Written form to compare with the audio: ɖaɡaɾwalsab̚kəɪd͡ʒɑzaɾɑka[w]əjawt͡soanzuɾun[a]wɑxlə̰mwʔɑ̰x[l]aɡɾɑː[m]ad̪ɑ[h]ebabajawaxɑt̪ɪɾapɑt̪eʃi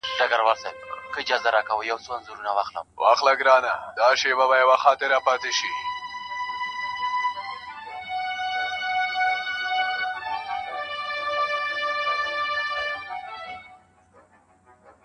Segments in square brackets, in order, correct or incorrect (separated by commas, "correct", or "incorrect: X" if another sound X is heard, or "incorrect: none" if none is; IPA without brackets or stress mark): correct, correct, correct, incorrect: n, incorrect: ʃ